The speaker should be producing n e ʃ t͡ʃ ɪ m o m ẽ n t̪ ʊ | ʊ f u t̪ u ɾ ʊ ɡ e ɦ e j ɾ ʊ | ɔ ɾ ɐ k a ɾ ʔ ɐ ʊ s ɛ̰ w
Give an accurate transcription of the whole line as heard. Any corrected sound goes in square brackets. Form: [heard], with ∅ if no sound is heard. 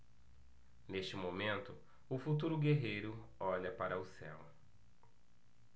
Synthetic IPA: n e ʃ t͡ʃ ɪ m o m ẽ n t̪ ʊ | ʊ f u t̪ u ɾ ʊ ɡ e ɦ e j ɾ ʊ | ɔ [ʎ] ɐ [p] a ɾ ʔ ɐ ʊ s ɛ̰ w